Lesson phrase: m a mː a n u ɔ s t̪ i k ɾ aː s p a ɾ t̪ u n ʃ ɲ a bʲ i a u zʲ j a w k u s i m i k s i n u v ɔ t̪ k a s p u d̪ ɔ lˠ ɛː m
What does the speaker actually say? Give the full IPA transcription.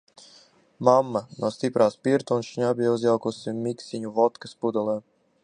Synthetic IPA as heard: m a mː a n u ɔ s t̪ i p ɾ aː s p i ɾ t̪ u n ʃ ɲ a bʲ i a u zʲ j a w k u s i m i k s i ɲ u v ɔ t̪ k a s p u d̪ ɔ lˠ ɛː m